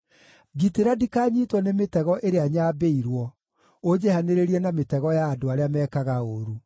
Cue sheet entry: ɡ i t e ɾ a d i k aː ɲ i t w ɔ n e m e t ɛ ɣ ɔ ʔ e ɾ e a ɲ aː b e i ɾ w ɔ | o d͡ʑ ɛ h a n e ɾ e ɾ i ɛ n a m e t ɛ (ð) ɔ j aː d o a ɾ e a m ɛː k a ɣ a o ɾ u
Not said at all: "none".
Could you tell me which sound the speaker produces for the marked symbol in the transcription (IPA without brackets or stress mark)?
ɣ